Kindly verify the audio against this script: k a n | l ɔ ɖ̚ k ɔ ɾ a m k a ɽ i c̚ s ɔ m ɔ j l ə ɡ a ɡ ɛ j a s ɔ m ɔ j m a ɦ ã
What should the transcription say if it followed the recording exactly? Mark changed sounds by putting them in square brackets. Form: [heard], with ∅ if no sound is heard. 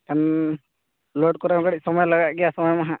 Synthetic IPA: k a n | l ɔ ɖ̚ k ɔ ɾ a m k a ɽ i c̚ s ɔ m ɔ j l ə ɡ a ɡ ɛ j a s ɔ m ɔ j m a ɦ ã